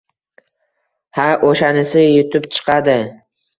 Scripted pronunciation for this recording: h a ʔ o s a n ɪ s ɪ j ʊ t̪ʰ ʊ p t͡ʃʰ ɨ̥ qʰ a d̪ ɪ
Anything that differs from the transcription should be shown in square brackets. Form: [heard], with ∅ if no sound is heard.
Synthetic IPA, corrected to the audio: h a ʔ o [ʃ] a n ɪ s ɪ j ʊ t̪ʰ ʊ p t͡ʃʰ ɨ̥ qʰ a d̪ ɪ